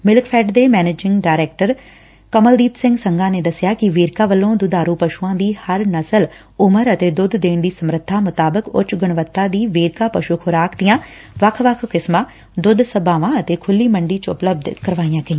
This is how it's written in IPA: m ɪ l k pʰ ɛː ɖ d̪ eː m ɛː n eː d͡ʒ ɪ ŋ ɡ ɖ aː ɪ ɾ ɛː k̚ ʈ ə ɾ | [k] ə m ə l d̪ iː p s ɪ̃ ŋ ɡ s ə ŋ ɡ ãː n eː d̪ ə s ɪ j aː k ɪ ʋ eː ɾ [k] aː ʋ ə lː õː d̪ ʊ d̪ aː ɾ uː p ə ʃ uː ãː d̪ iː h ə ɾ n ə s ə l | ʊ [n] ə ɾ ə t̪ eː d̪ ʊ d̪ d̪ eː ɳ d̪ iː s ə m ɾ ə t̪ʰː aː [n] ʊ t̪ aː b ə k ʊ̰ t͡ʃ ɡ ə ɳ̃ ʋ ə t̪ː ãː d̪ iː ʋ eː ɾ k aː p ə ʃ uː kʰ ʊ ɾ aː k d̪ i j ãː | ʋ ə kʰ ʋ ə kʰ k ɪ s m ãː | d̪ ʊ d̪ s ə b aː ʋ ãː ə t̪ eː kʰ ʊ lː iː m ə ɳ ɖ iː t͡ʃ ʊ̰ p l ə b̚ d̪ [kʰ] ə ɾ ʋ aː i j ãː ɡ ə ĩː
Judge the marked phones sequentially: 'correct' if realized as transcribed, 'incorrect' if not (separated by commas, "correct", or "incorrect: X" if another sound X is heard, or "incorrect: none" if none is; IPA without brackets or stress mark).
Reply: correct, correct, incorrect: m, incorrect: m, incorrect: k